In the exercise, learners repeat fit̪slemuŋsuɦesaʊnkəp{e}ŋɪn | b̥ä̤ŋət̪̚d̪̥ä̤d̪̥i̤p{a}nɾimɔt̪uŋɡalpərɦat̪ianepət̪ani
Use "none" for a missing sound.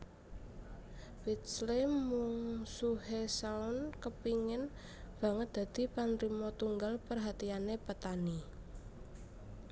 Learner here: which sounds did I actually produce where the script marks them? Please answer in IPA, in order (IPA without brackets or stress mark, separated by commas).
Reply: i, a